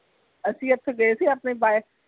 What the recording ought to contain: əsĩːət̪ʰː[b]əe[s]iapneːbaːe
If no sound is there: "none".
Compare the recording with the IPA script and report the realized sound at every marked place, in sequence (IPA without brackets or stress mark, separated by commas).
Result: ɡ, s